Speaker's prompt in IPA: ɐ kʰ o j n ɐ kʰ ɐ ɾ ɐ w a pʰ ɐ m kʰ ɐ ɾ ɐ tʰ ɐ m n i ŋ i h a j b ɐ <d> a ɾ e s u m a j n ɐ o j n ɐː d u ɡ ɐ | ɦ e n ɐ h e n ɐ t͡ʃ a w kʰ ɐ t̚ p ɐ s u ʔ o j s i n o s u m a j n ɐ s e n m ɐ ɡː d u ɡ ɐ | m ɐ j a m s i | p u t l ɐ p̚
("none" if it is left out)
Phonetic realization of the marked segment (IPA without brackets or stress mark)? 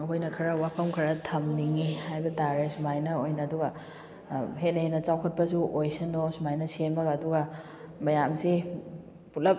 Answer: t